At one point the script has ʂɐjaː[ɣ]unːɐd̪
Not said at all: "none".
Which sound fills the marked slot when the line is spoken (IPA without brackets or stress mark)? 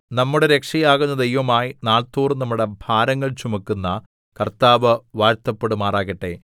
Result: ɣ